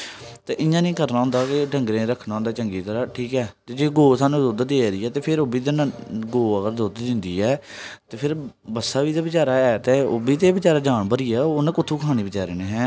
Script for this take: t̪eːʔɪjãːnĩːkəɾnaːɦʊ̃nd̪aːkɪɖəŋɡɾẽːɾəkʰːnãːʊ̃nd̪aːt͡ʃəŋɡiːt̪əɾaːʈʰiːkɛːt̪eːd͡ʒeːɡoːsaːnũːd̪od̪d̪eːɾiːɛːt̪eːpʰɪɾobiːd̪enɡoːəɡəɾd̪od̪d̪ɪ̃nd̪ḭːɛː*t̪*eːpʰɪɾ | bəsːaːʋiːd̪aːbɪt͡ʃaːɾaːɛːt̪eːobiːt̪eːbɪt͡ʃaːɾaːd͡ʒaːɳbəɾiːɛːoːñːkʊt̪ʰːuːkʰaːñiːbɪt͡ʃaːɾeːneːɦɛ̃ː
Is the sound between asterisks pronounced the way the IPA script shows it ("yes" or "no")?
yes